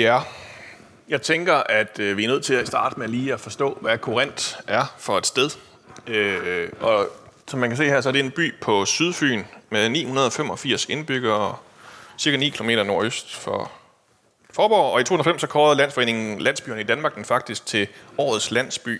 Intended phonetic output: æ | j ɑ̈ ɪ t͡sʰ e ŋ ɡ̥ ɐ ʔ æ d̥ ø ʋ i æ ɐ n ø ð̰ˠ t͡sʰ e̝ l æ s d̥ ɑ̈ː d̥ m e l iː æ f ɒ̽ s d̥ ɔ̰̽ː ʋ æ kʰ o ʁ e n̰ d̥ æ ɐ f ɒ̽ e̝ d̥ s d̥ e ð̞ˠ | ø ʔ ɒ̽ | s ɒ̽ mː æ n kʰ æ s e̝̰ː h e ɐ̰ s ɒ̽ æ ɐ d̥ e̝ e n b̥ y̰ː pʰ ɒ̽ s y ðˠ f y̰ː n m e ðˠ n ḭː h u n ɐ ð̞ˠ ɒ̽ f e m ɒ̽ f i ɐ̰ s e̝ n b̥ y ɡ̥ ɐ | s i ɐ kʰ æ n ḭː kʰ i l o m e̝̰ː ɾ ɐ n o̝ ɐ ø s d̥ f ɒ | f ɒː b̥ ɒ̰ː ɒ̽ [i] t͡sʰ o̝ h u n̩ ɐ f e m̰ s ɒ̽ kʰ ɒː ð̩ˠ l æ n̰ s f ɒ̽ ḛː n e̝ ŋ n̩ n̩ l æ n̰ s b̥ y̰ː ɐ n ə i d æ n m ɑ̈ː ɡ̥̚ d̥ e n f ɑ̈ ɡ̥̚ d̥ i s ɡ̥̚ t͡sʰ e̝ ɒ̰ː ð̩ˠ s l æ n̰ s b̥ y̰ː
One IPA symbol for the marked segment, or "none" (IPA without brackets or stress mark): i